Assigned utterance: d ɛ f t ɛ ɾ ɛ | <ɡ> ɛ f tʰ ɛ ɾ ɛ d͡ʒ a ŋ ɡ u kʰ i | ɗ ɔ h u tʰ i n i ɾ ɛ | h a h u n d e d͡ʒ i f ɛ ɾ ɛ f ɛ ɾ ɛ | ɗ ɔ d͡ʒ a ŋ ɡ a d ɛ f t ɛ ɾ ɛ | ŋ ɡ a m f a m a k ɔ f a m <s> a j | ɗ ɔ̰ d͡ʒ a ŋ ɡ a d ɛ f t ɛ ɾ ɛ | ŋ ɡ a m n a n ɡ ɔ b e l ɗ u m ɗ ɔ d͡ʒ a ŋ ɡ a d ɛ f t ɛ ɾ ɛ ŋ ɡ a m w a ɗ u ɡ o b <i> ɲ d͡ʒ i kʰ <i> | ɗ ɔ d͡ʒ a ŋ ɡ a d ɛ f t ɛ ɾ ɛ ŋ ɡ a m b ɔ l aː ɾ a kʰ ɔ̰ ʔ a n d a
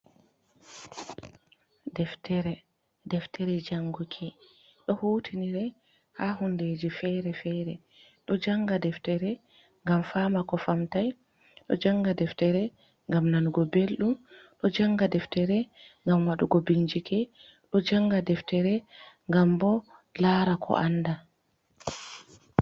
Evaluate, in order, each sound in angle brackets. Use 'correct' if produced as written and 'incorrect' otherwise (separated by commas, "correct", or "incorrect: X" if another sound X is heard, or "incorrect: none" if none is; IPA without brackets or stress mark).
incorrect: d, incorrect: t, correct, incorrect: ɛ